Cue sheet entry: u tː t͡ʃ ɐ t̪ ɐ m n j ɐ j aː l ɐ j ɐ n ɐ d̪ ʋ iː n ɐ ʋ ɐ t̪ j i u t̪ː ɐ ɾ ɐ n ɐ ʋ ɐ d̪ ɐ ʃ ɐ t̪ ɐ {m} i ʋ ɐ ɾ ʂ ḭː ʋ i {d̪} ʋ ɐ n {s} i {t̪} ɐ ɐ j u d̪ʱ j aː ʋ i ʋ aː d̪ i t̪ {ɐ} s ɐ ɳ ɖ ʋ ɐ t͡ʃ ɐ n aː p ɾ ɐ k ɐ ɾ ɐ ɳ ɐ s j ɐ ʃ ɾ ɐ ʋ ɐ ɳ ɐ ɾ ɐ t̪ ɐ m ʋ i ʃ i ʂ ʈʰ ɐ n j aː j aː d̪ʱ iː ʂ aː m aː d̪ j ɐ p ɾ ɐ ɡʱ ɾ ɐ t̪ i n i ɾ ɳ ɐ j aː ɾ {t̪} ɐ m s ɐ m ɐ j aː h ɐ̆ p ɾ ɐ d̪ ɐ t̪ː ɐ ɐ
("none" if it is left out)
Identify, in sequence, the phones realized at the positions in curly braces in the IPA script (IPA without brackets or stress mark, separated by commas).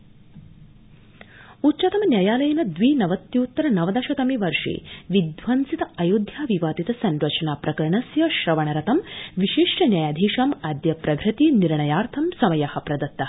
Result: m, d̪, s, t̪, ɐ, t̪ʰ